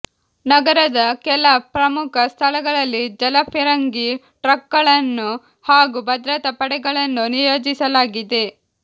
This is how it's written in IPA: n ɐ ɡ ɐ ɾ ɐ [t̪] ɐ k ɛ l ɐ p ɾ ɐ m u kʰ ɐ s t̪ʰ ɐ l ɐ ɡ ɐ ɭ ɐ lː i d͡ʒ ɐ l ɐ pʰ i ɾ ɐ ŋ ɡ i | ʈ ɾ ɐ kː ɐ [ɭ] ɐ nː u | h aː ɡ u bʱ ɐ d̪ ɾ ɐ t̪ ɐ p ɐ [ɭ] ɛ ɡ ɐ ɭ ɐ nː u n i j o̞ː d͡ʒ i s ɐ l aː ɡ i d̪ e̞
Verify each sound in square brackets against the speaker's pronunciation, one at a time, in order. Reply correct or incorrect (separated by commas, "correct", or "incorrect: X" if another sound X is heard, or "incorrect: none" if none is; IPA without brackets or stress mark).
incorrect: d̪, correct, incorrect: ɽ